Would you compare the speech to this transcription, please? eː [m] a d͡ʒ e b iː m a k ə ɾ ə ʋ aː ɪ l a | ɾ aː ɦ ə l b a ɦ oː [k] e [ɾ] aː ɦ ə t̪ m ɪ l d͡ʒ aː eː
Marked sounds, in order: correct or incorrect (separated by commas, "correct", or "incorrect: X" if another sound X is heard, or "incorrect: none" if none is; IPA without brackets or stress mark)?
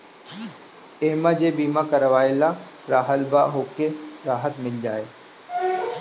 correct, correct, correct